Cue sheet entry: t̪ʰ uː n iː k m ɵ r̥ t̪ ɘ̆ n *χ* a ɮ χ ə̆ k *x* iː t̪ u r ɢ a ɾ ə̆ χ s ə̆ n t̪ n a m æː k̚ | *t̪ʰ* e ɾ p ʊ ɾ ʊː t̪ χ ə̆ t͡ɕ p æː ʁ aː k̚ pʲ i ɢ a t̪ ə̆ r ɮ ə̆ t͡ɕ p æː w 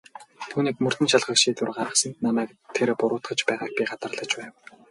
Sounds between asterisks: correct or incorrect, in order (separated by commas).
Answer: incorrect, incorrect, correct